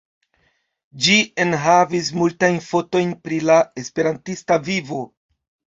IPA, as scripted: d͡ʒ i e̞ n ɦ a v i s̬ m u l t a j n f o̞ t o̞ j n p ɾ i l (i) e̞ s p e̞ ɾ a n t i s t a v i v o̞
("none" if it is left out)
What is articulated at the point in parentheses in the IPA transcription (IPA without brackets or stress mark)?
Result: a